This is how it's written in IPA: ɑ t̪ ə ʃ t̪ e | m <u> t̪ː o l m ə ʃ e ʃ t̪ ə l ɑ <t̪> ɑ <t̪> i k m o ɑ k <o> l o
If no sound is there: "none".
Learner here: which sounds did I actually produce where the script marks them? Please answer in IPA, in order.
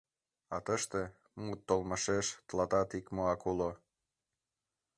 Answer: u, t̪, t̪, u

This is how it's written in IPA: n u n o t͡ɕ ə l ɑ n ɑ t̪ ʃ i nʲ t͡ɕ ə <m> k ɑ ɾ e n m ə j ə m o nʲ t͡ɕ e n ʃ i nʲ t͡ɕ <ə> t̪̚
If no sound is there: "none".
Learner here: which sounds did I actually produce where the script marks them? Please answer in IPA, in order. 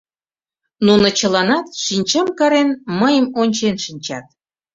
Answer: m, ɑ

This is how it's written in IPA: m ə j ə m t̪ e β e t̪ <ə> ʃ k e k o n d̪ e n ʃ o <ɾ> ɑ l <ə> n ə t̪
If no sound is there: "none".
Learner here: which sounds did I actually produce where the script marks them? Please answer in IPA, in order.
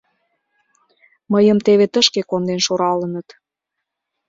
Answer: ə, ɾ, ə

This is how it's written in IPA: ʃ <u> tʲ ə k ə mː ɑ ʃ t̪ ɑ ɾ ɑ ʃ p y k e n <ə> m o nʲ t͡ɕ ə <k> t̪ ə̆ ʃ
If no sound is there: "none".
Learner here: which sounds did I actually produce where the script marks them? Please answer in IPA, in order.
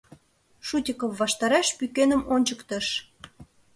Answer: u, ə, k

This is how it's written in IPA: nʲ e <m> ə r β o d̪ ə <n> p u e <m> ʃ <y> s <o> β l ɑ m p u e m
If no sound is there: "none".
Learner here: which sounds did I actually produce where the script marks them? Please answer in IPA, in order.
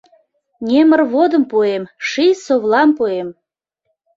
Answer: m, m, m, i, o

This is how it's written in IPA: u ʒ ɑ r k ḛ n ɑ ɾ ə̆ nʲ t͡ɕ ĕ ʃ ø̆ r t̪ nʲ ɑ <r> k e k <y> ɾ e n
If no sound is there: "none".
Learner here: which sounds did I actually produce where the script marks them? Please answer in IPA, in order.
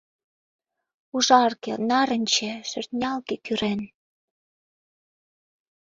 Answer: l, y

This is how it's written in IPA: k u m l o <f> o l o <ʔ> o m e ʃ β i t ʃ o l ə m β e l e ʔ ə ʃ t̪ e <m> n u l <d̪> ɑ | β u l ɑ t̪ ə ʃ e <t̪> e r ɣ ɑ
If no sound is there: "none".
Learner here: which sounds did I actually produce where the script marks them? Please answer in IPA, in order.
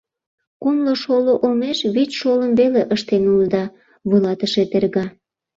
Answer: ʃ, ʔ, none, d̪, t̪

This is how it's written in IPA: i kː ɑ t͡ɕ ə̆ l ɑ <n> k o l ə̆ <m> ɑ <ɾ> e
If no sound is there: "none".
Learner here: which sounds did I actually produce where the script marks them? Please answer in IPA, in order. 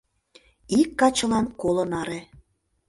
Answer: n, n, ɾ

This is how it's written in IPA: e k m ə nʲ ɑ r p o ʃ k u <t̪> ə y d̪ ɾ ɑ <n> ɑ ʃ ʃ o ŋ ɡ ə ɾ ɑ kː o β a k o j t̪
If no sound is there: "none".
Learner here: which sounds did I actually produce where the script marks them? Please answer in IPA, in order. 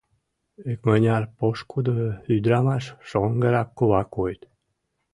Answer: d̪, m

